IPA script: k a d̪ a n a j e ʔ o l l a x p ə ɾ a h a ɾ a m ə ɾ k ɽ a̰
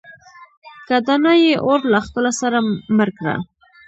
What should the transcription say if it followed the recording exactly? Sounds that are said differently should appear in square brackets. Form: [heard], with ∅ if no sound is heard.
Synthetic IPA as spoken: k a d̪ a n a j e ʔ o [ɾ] l a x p ə [l] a [s] a ɾ a m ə ɾ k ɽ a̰